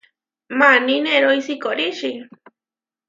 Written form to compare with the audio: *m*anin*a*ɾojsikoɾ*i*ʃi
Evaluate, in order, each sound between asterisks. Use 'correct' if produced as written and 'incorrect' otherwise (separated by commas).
correct, incorrect, correct